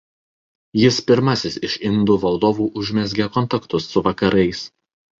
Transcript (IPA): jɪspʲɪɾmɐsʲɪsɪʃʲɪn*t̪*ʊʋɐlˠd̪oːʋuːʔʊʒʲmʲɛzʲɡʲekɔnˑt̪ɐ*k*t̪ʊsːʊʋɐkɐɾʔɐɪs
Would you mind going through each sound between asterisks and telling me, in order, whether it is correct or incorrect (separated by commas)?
incorrect, correct